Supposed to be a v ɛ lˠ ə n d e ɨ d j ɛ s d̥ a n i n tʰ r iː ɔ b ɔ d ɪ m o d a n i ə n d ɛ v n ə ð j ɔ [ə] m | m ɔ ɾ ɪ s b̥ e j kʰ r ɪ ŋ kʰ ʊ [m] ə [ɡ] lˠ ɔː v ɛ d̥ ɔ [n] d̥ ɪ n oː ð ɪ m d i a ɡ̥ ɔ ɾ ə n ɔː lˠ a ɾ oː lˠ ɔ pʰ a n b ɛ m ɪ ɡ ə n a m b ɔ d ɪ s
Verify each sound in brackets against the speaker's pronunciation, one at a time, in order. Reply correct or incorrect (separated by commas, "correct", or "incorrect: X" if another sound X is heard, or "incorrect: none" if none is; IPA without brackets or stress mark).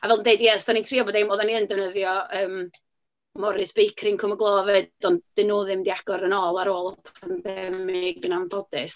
incorrect: əː, correct, correct, correct